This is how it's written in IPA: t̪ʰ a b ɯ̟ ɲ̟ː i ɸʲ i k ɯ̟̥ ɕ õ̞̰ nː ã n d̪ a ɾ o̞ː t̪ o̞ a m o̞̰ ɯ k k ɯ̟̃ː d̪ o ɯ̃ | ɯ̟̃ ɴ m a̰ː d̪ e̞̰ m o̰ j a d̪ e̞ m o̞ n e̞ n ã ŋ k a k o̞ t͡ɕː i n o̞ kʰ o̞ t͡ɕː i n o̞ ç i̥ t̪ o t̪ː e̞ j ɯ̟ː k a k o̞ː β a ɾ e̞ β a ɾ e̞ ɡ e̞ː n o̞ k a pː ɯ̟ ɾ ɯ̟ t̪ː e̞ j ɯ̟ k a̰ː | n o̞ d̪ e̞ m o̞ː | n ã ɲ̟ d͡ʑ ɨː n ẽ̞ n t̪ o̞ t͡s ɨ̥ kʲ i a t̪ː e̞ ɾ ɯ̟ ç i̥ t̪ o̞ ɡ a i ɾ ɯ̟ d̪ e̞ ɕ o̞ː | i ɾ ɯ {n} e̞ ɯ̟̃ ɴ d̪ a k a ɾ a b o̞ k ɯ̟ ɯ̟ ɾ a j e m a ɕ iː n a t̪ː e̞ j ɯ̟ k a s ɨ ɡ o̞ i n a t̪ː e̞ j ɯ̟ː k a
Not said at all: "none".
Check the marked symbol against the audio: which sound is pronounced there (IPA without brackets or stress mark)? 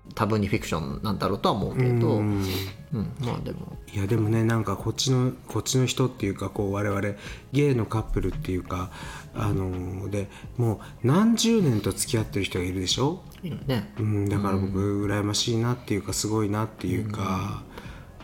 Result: n